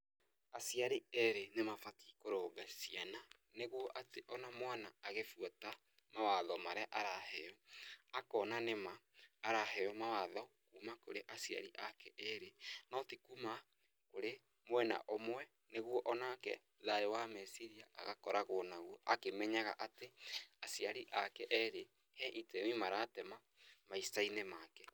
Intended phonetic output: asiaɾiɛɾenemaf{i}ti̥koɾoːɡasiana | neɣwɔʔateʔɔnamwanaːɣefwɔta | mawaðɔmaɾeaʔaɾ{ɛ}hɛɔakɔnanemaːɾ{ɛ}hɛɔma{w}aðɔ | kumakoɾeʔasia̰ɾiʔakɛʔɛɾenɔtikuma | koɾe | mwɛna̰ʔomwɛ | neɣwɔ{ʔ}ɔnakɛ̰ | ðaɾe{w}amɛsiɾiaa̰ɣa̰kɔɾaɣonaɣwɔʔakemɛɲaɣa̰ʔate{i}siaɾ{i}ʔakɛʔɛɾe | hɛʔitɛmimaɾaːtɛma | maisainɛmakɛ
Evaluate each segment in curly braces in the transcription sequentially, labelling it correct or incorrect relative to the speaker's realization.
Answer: incorrect: a, incorrect: a, incorrect: a, correct, correct, correct, incorrect: a, correct

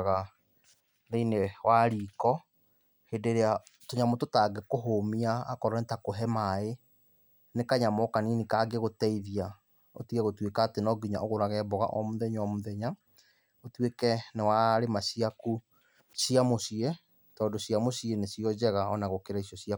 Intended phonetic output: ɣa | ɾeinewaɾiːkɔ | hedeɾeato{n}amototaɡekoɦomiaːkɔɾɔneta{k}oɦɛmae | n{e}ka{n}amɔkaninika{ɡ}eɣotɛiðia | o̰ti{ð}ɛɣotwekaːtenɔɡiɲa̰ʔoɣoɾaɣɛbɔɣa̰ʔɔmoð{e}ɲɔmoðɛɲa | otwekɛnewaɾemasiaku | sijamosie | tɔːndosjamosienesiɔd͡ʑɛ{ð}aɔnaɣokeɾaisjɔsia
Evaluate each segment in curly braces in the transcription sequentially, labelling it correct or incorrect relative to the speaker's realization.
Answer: incorrect: ɲ, correct, correct, incorrect: ɲ, correct, incorrect: ɣ, incorrect: ɛ, incorrect: ɣ

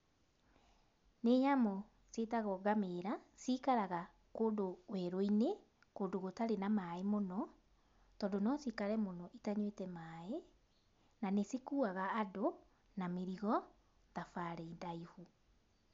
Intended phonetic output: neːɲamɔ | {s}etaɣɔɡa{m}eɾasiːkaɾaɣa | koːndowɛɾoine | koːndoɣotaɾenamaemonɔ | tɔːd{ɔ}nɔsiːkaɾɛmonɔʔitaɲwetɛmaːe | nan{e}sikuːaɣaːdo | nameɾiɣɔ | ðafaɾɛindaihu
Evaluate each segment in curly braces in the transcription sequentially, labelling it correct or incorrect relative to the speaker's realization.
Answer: correct, correct, incorrect: o, correct

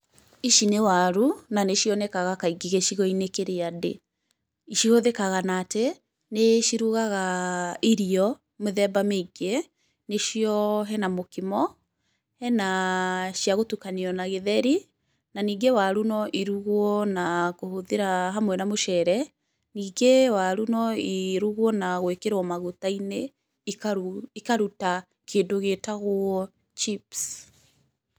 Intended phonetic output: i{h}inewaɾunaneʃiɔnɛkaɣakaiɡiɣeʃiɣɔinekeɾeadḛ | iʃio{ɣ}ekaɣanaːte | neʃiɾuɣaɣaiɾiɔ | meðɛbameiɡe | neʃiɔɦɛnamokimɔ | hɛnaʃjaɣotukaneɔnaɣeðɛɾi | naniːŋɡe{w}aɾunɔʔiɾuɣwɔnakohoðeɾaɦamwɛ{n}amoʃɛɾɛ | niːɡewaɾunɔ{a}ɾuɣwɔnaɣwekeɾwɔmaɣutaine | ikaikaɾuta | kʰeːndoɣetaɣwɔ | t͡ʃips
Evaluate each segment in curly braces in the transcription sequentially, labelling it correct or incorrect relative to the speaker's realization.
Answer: incorrect: ʃ, incorrect: ð, correct, correct, incorrect: i

